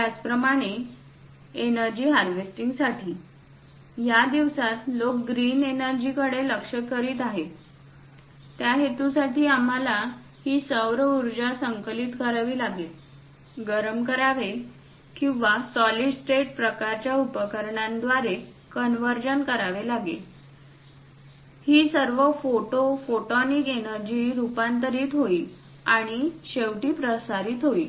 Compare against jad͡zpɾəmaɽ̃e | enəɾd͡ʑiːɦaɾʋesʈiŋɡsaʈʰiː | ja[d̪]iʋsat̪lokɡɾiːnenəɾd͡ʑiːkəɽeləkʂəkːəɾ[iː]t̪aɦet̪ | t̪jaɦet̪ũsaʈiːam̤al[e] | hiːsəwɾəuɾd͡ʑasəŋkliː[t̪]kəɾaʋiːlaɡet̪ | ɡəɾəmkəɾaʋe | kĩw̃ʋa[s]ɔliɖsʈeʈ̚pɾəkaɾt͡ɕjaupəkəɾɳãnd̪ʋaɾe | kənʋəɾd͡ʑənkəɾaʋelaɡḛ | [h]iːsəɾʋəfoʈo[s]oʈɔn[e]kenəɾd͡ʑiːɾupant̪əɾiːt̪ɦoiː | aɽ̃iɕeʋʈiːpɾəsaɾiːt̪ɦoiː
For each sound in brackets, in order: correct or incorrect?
correct, correct, incorrect, correct, correct, correct, incorrect, incorrect

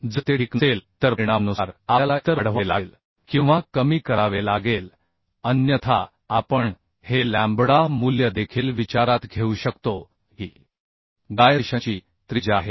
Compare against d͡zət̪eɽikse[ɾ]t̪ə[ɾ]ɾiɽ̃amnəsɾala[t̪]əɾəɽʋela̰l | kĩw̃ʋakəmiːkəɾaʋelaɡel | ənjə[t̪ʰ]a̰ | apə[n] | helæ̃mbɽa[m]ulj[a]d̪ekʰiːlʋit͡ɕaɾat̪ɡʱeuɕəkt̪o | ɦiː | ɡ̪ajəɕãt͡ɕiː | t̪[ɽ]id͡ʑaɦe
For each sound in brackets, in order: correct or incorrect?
incorrect, correct, correct, correct, incorrect, correct, incorrect, incorrect

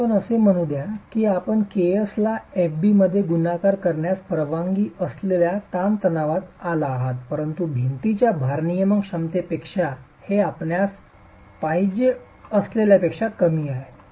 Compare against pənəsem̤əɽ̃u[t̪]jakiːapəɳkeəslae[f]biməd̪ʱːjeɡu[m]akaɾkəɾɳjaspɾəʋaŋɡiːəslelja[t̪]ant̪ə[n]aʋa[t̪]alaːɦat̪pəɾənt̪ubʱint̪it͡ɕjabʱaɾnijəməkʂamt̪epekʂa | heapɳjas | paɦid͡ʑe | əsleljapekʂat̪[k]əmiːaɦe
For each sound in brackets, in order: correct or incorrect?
incorrect, correct, incorrect, correct, correct, correct, correct

